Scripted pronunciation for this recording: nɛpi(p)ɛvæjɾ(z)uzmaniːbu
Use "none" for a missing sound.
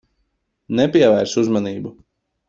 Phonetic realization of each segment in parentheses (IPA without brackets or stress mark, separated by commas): none, s